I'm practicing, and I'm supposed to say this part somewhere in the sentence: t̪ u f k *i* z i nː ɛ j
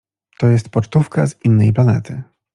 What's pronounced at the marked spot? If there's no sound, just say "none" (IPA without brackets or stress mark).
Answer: a